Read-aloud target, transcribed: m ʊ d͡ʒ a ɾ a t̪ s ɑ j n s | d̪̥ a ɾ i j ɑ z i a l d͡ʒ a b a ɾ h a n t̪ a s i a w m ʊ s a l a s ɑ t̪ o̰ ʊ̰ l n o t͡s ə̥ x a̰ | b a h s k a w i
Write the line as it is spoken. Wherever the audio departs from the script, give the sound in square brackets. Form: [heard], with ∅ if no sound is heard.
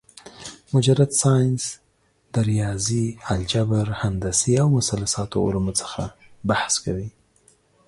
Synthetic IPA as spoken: m ʊ d͡ʒ a ɾ a t̪ s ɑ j n s | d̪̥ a ɾ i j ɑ z i a l d͡ʒ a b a ɾ h a n [d̪] a s i a w m ʊ s a l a s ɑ t̪ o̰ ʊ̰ l [m] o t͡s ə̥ x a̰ | b a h s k a w i